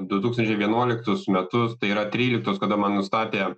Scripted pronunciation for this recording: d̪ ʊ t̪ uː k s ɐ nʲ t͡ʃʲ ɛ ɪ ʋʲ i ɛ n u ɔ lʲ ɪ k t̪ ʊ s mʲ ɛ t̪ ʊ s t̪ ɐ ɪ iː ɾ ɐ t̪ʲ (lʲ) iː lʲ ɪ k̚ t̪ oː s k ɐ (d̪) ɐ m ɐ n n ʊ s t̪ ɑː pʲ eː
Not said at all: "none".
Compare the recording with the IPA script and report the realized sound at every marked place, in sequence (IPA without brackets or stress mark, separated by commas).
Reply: ɾʲ, d̪